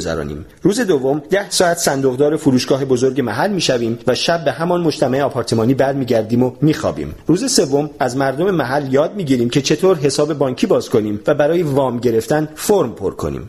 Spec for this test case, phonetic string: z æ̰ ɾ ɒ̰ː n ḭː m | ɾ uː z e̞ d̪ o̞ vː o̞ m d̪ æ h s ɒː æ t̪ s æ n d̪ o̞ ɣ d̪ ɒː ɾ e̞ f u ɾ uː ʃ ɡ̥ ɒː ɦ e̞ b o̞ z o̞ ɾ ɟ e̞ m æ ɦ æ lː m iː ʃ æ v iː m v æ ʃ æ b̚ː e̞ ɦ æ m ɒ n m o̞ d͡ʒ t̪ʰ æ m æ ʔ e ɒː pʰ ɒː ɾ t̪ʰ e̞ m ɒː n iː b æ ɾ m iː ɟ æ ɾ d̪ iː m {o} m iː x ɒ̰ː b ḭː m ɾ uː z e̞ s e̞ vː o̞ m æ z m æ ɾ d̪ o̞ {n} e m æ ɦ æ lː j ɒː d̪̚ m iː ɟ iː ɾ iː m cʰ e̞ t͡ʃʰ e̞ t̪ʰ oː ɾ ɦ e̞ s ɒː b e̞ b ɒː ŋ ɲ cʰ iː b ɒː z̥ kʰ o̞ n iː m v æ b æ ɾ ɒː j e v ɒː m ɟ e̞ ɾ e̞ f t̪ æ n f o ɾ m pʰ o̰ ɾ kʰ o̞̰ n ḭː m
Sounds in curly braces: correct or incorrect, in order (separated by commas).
correct, incorrect